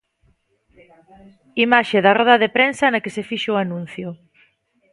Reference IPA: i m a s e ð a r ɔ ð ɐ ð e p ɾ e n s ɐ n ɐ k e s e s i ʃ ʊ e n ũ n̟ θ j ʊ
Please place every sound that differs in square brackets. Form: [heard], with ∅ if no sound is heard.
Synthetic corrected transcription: i m a [ʃ] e ð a r ɔ ð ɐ ð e p ɾ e n s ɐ n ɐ k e s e [f] i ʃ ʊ [a] n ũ n̟ θ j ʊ